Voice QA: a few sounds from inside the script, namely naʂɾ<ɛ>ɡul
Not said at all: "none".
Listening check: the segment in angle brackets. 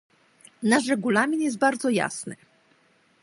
ɛ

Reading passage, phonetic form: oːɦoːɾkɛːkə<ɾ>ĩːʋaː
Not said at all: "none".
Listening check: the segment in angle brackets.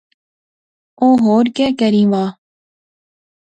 ɾ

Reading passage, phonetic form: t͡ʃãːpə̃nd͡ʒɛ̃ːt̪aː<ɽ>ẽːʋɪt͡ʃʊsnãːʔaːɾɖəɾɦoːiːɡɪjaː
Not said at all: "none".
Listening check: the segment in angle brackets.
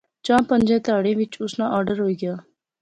ɽ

